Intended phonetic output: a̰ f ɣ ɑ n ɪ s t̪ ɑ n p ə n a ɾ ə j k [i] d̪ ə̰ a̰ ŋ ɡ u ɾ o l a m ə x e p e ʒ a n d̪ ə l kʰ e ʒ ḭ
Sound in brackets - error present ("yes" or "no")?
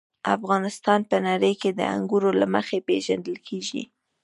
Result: yes